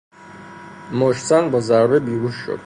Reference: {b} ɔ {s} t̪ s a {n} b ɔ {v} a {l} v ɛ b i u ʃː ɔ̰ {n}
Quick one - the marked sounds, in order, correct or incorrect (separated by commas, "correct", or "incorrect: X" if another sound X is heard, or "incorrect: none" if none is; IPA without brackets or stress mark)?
incorrect: m, incorrect: ʃ, correct, incorrect: z, incorrect: ɾ, incorrect: none